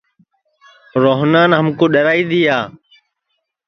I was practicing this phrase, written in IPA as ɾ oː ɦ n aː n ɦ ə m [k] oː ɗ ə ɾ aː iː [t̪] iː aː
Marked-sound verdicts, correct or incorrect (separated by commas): correct, incorrect